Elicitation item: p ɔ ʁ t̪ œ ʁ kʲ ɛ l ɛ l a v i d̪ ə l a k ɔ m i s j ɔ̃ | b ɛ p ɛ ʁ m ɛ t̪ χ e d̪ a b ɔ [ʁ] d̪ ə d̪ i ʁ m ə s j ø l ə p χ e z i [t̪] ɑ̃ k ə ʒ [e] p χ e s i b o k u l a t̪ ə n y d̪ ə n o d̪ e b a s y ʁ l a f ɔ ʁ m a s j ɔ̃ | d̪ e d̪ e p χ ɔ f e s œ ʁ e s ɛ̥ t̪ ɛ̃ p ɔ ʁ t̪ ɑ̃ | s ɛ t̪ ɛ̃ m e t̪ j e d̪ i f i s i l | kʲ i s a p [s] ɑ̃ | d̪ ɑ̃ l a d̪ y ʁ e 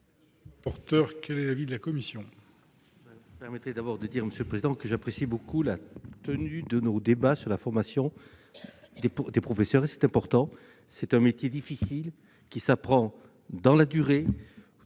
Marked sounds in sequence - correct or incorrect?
correct, incorrect, incorrect, incorrect

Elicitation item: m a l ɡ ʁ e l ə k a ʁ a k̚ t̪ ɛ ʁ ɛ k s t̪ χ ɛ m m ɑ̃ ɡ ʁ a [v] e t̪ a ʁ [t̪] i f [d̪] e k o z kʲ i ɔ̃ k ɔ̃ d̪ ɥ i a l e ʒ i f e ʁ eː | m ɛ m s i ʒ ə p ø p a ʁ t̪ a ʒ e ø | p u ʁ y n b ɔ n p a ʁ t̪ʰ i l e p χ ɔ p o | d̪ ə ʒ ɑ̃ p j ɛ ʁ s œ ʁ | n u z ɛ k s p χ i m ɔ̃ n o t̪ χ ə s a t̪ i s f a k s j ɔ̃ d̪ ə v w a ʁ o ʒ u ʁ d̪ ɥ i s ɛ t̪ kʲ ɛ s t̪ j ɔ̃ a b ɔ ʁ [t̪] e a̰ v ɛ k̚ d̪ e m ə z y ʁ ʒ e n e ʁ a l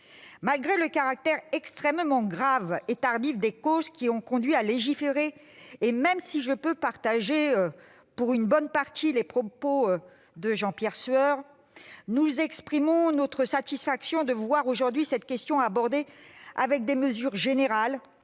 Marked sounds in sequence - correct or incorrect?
correct, incorrect, correct, incorrect

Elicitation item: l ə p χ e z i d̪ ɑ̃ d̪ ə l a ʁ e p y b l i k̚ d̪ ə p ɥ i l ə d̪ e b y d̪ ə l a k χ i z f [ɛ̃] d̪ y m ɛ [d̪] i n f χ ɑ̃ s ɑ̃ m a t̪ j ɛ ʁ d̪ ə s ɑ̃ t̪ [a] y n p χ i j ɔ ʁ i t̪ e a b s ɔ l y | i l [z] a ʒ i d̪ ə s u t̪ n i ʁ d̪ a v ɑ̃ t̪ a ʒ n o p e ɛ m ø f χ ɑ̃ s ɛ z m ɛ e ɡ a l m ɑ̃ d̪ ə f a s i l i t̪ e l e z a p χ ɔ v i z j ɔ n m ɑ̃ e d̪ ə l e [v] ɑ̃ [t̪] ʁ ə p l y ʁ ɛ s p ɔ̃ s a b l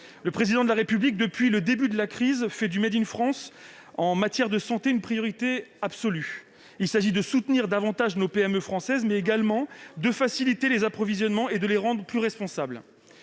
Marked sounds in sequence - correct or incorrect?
incorrect, correct, incorrect, incorrect, incorrect, incorrect

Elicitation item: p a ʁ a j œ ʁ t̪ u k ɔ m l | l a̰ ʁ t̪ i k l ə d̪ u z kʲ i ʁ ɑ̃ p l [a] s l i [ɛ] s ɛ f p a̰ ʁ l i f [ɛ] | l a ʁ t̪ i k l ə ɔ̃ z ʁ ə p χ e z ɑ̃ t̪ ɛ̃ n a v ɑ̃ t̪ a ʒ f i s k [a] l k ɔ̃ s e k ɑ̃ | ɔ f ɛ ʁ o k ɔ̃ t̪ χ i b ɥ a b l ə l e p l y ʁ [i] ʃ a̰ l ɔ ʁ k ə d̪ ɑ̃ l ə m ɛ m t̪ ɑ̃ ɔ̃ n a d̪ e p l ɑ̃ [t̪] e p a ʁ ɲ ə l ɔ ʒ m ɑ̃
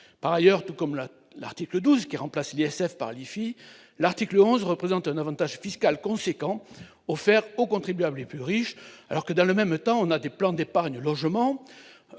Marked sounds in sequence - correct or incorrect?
correct, correct, incorrect, correct, correct, incorrect

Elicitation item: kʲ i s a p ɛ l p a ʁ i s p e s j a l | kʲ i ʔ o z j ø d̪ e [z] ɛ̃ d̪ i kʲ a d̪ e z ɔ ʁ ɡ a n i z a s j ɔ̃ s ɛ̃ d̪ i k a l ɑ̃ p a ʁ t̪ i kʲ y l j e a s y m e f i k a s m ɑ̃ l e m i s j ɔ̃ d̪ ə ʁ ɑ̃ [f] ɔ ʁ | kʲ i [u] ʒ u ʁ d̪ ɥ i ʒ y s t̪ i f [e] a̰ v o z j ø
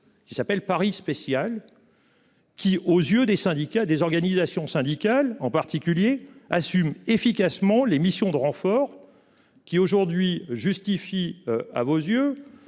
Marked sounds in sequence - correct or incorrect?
incorrect, correct, incorrect, incorrect

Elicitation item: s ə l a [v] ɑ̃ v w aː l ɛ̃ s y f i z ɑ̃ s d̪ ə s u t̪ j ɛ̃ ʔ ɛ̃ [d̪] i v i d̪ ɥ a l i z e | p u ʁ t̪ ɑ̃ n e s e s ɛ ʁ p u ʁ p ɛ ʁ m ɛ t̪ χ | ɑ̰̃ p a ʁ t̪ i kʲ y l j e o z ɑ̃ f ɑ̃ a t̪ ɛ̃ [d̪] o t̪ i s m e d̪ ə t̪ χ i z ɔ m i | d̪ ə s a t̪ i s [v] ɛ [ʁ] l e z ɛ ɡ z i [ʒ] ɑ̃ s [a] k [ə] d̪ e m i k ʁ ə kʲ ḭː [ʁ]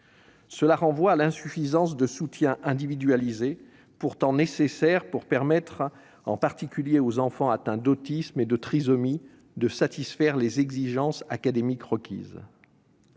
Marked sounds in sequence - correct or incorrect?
incorrect, correct, correct, incorrect, correct, correct, correct, incorrect, incorrect

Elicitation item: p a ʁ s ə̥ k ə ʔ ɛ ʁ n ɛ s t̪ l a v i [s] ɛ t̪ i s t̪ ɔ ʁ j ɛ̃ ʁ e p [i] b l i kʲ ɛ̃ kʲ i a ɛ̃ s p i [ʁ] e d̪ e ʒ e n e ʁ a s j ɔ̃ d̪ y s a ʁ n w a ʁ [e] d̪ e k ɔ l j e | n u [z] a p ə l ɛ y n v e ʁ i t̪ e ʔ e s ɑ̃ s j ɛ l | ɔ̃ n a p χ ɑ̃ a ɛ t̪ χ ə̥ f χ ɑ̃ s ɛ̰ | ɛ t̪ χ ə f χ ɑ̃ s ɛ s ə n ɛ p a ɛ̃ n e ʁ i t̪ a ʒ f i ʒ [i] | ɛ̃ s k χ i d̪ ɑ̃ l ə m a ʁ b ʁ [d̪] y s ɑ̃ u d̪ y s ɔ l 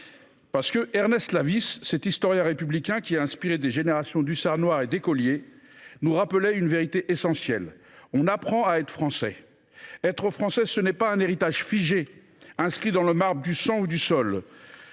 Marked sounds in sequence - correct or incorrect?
incorrect, incorrect, correct, correct, incorrect, incorrect, correct

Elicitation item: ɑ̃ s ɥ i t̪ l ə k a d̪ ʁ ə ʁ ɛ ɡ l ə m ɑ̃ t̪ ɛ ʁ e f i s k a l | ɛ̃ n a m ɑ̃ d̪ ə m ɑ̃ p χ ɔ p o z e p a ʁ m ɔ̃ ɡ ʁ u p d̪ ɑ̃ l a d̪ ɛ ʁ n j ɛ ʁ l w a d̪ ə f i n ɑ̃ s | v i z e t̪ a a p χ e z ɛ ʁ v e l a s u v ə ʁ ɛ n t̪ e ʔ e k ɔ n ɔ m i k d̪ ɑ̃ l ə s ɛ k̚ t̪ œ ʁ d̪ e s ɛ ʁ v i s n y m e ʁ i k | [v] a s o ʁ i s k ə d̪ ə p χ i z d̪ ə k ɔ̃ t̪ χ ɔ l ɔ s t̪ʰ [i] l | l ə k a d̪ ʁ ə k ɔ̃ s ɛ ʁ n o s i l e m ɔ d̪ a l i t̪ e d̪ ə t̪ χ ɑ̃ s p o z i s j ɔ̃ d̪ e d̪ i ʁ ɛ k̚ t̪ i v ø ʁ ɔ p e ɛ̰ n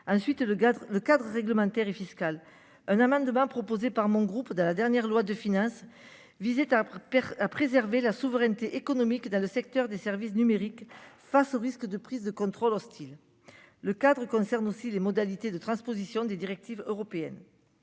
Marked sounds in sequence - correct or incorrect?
incorrect, correct

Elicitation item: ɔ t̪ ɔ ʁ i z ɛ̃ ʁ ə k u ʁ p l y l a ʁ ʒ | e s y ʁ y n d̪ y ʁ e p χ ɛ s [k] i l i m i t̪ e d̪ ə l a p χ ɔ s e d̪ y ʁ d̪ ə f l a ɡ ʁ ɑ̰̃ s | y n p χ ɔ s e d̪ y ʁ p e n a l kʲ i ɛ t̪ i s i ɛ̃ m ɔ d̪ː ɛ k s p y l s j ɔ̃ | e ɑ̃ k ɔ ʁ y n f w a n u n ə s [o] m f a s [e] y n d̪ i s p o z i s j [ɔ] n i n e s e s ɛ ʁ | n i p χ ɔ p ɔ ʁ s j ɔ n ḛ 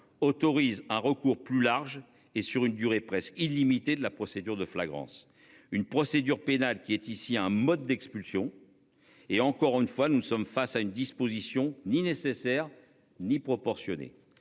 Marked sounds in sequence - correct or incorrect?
correct, incorrect, incorrect, incorrect

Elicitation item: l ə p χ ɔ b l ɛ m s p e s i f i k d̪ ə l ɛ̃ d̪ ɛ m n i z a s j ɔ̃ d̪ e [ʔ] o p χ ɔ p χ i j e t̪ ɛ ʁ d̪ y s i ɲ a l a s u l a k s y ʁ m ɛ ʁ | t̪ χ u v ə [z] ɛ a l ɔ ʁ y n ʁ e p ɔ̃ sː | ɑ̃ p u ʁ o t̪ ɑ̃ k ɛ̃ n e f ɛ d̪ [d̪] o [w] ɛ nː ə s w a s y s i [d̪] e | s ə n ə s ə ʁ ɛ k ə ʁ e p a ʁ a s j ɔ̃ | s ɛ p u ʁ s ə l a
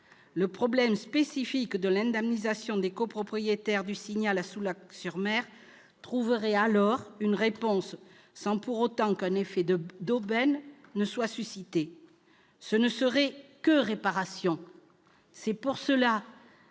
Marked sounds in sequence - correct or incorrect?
incorrect, incorrect, correct, incorrect, incorrect

